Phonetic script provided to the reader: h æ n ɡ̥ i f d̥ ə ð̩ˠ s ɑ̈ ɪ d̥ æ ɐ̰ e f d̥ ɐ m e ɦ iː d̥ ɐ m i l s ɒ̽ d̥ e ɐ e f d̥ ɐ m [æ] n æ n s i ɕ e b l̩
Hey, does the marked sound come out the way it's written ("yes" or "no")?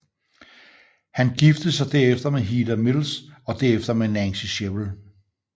no